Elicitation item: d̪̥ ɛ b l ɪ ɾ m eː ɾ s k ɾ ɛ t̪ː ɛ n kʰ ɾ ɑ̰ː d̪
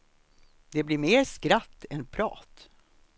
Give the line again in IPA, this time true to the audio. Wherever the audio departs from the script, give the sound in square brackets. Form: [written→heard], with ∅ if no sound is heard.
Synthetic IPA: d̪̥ ɛ b l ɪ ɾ m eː ɾ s k ɾ [ɛ→a] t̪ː ɛ n [kʰ→pʰ] ɾ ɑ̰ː [d̪→t̪]